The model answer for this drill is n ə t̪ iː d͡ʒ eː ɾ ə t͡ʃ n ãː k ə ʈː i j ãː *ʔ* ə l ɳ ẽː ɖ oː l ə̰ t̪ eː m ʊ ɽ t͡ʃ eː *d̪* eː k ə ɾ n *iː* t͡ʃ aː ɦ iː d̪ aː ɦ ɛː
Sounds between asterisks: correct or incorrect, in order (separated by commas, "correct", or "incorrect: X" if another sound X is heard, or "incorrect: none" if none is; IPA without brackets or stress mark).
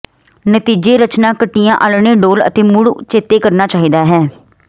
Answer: correct, incorrect: t̪, incorrect: aː